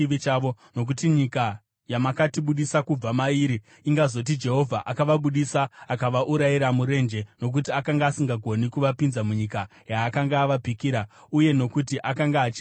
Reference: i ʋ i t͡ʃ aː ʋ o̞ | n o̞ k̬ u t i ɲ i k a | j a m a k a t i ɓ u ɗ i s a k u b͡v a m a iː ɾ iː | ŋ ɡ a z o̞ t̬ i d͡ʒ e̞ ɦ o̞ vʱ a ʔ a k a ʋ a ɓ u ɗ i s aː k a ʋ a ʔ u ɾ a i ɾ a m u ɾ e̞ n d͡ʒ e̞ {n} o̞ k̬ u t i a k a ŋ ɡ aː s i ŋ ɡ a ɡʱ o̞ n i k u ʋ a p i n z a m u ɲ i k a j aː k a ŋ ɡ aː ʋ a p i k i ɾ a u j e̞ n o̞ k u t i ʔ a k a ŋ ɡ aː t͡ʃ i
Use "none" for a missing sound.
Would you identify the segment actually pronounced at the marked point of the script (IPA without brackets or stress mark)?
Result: n